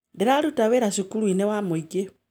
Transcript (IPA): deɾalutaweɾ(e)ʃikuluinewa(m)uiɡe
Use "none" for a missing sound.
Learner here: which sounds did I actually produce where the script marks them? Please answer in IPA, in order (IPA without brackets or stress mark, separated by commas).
a, m